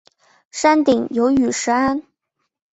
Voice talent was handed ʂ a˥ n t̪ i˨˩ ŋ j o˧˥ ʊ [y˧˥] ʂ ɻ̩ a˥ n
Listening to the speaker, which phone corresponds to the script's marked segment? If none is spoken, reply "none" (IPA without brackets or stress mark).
y˨˩